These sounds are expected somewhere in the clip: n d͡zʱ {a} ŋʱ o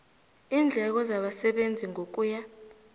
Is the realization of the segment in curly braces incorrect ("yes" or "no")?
yes